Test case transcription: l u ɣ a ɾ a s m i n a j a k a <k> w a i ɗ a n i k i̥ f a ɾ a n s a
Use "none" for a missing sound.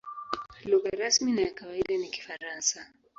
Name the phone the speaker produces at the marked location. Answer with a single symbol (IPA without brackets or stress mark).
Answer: none